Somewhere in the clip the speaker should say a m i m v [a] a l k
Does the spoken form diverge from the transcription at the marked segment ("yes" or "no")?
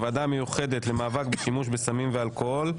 yes